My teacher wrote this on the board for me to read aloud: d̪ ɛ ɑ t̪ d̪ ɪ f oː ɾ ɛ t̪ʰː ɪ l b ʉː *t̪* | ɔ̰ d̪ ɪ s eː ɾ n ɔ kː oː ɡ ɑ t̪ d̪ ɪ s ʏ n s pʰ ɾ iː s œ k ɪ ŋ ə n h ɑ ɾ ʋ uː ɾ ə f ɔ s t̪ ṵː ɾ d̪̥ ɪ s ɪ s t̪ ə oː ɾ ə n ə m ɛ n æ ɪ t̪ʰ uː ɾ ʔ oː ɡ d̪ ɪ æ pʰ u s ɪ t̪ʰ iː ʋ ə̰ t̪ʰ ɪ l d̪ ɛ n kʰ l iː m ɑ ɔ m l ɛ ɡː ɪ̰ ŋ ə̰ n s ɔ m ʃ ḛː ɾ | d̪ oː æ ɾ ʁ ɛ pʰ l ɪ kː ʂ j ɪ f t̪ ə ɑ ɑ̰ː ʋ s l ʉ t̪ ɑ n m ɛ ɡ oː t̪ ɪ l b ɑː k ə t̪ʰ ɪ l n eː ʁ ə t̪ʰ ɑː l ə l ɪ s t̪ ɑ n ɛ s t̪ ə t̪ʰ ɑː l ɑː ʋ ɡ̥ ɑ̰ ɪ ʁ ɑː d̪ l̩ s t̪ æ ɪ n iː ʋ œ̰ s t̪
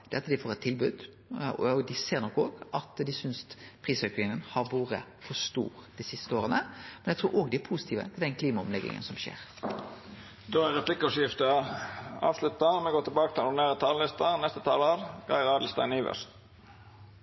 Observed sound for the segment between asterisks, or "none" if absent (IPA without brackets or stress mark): d̪